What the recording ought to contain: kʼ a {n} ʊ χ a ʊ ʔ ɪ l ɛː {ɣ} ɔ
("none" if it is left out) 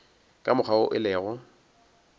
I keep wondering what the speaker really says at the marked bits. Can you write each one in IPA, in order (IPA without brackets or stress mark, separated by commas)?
m, ɣ